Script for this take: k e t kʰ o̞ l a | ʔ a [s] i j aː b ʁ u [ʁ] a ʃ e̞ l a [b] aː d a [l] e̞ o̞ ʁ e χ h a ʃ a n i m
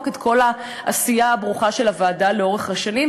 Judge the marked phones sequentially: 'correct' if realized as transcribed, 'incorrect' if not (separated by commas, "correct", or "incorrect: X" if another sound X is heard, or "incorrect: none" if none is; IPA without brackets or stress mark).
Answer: correct, incorrect: χ, incorrect: v, correct